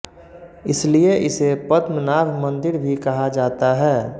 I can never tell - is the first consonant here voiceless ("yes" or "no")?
yes